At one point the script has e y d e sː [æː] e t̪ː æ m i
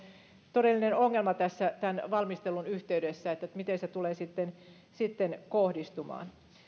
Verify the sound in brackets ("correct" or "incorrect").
incorrect